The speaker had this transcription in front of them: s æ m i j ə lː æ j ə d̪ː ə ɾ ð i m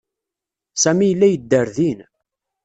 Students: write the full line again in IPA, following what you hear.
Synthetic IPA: s æ m i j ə lː æ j ə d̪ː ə ɾ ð i n